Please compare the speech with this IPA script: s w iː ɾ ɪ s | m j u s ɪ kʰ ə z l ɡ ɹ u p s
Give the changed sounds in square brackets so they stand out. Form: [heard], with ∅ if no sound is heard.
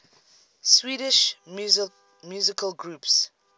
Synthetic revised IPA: s w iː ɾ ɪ [ʃ] | m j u [z] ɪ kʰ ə [∅] l ɡ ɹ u p s